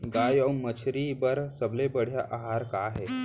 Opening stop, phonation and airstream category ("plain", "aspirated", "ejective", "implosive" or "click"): plain